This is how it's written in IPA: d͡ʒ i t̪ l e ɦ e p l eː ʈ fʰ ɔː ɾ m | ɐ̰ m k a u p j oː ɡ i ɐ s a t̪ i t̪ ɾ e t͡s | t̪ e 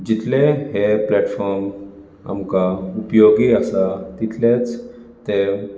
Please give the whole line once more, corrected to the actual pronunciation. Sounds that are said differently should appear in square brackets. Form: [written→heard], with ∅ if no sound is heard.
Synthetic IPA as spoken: d͡ʒ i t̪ l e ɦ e p l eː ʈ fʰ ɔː ɾ m | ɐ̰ m k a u p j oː ɡ i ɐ s a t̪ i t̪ [ɾ→l] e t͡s | t̪ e